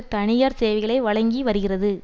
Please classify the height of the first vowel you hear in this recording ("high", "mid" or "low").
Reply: low